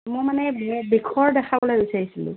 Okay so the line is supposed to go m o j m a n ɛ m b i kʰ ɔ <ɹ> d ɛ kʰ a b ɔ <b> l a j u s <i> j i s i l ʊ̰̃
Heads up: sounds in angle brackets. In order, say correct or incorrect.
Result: correct, incorrect: none, incorrect: a

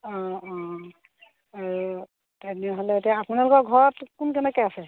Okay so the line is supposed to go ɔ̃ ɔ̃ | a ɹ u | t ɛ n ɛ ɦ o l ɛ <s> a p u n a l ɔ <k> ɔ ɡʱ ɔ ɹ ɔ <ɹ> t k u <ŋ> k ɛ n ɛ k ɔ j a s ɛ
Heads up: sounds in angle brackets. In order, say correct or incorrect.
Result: incorrect: t, correct, incorrect: none, incorrect: n

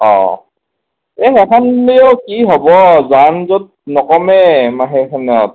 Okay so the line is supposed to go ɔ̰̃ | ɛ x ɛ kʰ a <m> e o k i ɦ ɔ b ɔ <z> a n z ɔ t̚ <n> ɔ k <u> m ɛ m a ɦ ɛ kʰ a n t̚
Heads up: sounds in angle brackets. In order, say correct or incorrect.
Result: incorrect: n, correct, correct, incorrect: ɔ

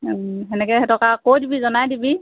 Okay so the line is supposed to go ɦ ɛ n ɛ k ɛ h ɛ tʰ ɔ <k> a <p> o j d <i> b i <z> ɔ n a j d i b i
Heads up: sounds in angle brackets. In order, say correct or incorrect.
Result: correct, incorrect: k, correct, correct

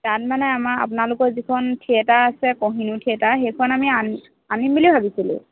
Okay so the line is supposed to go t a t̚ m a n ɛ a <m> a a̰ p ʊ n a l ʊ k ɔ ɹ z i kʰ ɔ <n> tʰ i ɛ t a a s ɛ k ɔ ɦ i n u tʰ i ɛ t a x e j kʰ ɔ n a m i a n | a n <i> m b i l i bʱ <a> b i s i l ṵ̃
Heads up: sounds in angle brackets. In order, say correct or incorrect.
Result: correct, correct, correct, correct

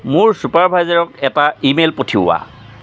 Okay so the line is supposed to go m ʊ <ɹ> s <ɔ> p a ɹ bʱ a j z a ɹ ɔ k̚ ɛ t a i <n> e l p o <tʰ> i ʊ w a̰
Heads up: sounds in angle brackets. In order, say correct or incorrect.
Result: correct, incorrect: u, incorrect: m, correct

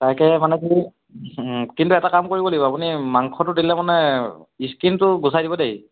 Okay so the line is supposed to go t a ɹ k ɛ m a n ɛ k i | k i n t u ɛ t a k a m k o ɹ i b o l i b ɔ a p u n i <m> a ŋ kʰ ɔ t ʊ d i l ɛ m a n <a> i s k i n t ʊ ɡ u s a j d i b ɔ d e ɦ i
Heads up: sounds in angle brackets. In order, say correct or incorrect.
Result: correct, incorrect: ɛ

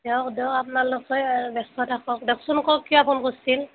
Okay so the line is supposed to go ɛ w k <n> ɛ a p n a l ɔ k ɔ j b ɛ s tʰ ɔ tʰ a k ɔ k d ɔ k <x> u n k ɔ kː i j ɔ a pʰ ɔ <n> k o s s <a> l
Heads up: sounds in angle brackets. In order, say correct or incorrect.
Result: incorrect: d, incorrect: s, correct, incorrect: i

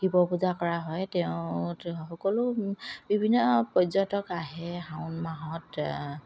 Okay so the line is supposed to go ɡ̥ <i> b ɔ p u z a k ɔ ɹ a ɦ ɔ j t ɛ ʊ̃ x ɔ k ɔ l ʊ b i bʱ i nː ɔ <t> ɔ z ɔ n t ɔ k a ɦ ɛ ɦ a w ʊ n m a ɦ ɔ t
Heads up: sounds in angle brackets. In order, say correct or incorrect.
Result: correct, incorrect: p

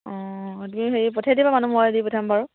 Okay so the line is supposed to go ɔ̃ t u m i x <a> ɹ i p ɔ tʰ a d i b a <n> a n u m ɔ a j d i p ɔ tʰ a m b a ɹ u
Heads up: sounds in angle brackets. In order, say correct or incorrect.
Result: incorrect: e, incorrect: m

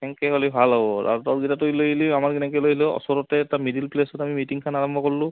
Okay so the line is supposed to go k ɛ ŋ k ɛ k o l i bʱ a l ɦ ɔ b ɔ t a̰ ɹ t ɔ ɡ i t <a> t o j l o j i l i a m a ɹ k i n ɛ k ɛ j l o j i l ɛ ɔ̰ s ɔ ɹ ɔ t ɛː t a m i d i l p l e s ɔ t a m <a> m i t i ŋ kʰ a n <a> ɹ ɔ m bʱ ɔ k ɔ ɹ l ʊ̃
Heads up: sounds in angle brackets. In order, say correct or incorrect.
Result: correct, incorrect: i, correct

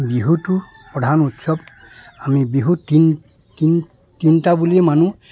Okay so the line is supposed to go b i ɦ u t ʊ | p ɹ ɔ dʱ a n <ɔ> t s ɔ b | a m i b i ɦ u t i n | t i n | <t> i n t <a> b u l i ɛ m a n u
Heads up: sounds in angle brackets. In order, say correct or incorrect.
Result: incorrect: u, correct, correct

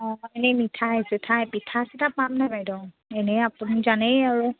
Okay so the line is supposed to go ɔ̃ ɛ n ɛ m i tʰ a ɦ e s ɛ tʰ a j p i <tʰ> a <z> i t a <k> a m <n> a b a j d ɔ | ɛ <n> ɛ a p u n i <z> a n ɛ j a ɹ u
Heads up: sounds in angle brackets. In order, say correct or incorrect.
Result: correct, incorrect: s, incorrect: p, correct, correct, correct

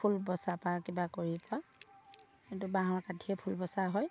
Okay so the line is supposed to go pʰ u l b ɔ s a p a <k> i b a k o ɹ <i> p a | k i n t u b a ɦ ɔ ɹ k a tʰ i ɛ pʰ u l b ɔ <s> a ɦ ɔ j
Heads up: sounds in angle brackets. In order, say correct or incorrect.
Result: correct, correct, correct

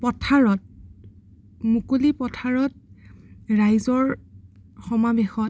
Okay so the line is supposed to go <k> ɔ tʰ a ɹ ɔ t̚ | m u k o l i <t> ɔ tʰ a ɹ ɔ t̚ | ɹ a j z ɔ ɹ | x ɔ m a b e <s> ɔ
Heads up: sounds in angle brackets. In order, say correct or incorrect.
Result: incorrect: p, incorrect: p, incorrect: x

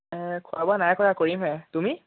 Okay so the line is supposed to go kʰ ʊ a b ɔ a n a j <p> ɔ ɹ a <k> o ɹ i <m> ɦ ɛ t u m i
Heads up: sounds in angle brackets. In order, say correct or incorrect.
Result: incorrect: k, correct, correct

